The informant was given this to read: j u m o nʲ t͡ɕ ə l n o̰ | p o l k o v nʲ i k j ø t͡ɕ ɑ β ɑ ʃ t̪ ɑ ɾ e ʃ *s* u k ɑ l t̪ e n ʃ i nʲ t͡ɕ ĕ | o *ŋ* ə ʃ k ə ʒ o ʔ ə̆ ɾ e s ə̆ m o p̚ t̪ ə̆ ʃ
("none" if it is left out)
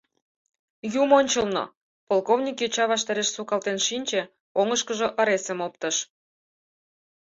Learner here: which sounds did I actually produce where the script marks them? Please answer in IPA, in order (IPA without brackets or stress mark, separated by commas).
s, ŋ